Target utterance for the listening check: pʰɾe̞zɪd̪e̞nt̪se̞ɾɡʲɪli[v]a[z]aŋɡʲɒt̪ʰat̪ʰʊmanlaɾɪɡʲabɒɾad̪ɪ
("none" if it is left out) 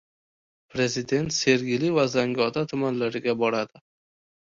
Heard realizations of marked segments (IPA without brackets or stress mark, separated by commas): v, z